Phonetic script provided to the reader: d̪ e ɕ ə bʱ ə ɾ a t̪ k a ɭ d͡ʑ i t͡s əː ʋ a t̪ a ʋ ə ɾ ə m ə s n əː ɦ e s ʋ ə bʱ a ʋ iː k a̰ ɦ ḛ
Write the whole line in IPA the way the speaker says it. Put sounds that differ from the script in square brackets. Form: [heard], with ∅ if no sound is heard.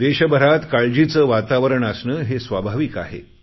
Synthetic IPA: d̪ e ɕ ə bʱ ə ɾ a t̪ k a ɭ d͡ʑ i t͡s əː ʋ a t̪ a ʋ ə ɾ ə [ɳ] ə s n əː ɦ e s ʋ [a] bʱ a ʋ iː k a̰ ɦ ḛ